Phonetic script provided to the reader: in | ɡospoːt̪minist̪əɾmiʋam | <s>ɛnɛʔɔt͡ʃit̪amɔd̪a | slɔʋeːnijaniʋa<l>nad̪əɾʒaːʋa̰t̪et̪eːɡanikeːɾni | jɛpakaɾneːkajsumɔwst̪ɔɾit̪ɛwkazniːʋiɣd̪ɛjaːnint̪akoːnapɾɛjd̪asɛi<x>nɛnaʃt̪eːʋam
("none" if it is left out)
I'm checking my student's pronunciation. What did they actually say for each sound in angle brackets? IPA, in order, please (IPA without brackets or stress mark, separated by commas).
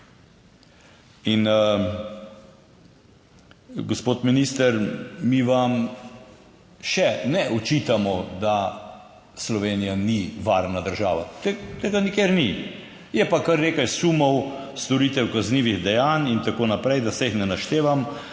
ʃ, ɾ, x